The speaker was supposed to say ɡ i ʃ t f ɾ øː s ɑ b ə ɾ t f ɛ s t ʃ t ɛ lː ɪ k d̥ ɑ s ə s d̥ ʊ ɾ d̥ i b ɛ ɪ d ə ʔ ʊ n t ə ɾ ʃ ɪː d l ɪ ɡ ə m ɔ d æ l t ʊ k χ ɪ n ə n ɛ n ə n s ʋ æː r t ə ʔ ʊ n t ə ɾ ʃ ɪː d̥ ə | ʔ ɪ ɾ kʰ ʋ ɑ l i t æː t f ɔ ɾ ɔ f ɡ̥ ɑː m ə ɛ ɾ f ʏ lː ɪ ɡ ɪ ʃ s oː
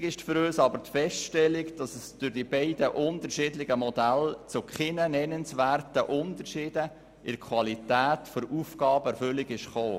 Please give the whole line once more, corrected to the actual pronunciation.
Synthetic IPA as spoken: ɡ ɪ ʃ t f ɾ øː s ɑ b ə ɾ t f ɛ s t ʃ t ɛ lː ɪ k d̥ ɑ s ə s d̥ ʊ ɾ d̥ i b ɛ ɪ d ə ʔ ʊ n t ə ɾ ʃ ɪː d l ɪ ɡ ə m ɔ d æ l t͡s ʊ k χ ɪ n ə n ɛ n ə n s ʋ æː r t ə ʔ ʊ n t ə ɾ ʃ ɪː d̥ ə | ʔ ɪ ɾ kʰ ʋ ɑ l i t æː t f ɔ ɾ u f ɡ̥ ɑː b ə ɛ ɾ f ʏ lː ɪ ɡ ɪ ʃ χ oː